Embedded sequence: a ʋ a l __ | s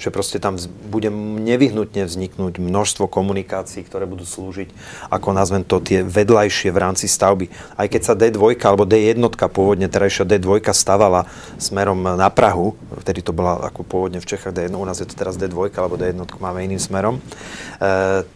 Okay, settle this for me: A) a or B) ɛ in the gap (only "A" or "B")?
A